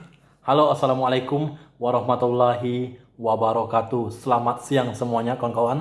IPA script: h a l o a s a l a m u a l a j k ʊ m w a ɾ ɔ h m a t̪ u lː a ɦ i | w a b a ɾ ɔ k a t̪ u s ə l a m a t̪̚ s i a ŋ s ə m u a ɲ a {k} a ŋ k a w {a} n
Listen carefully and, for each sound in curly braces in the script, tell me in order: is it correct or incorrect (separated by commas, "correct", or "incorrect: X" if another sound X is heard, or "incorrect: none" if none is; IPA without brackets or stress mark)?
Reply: correct, correct